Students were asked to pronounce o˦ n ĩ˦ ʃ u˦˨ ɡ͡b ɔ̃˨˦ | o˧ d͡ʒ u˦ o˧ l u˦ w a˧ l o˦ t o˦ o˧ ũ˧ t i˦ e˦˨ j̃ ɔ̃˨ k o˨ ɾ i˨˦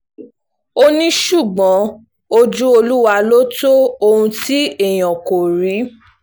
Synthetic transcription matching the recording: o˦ n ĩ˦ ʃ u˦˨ ɡ͡b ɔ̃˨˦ | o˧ d͡ʒ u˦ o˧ l u˦ w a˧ l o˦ t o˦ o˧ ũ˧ t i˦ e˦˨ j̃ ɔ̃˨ k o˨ ɾ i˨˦